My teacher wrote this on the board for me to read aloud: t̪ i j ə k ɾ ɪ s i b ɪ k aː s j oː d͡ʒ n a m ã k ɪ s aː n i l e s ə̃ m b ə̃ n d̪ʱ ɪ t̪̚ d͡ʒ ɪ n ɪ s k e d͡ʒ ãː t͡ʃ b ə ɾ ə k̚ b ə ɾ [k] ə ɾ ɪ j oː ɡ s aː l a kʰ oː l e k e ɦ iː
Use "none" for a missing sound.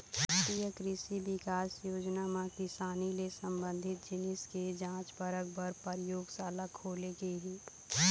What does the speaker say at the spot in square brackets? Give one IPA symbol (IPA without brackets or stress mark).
p